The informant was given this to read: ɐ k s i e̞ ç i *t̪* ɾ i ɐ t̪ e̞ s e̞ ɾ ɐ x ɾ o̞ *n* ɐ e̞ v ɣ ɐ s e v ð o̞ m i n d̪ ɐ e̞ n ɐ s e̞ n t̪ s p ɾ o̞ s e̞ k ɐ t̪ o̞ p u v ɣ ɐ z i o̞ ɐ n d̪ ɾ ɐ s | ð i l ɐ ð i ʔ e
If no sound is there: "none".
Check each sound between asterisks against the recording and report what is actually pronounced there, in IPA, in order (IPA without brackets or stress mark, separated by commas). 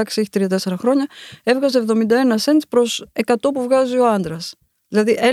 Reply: t̪, ɲ